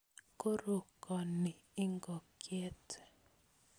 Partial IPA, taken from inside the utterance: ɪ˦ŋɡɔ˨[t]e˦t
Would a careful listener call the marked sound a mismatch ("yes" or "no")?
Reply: yes